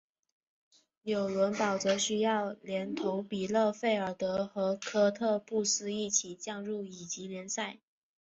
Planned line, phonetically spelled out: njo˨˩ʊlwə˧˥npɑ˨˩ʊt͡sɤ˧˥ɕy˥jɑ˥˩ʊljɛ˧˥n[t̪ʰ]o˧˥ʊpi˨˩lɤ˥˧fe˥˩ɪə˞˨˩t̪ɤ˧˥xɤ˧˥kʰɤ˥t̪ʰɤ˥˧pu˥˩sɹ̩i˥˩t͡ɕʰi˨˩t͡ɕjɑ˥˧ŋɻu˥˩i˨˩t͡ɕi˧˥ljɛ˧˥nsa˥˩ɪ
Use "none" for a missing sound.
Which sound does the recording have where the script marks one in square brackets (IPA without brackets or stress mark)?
t̪ʰ